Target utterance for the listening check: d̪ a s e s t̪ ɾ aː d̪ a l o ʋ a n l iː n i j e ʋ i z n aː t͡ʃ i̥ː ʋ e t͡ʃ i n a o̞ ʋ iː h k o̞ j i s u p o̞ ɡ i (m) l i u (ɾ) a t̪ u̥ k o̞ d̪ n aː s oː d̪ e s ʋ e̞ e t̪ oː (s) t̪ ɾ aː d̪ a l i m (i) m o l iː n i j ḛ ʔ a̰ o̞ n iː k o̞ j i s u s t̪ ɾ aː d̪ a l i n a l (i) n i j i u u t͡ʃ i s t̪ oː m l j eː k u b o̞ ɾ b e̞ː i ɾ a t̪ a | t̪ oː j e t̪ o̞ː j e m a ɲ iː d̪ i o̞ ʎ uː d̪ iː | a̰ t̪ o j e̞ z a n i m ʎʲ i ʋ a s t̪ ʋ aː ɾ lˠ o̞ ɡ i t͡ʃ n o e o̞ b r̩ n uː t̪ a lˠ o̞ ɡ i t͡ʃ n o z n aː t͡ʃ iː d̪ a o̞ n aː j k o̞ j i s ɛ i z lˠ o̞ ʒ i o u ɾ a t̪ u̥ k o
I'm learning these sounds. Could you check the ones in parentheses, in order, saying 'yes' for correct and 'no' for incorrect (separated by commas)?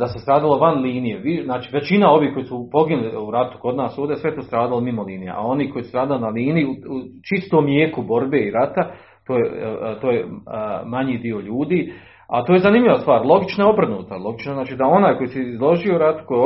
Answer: no, yes, yes, yes, no